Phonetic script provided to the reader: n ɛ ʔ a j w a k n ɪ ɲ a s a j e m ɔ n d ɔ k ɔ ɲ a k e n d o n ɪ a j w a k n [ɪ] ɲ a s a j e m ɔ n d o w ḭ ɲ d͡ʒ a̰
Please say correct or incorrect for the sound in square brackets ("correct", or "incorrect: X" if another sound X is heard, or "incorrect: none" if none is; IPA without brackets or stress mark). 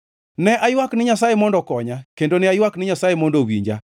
correct